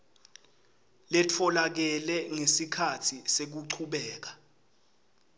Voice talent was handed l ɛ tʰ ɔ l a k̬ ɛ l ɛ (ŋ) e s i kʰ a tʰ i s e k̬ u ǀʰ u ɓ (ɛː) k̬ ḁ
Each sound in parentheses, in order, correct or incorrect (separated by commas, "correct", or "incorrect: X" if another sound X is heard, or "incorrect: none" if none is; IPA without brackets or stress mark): correct, correct